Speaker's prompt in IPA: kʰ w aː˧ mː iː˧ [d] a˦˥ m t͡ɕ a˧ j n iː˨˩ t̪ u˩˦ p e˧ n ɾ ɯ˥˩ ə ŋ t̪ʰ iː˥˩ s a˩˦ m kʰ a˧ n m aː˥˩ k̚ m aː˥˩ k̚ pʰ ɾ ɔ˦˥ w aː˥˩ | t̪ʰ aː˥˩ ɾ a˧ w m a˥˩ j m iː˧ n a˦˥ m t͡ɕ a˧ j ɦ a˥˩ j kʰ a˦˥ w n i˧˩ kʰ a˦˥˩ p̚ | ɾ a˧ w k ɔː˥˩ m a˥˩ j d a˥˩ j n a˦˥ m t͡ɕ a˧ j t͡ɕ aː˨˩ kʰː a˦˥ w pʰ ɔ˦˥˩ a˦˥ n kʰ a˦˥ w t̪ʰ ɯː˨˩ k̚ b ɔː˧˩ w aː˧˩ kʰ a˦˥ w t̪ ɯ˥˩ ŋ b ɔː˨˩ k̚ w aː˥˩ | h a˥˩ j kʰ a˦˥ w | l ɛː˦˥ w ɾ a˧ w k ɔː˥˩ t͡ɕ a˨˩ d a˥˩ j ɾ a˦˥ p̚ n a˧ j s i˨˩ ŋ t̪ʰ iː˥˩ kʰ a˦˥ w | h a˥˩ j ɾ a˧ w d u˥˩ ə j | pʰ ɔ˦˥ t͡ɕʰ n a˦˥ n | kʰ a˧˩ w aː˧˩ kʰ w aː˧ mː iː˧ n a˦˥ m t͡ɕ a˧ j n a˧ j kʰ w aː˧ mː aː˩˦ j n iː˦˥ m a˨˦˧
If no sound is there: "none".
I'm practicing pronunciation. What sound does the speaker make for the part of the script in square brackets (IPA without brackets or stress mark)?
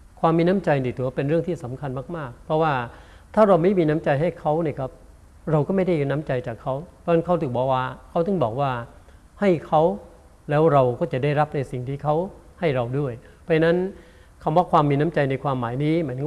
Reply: n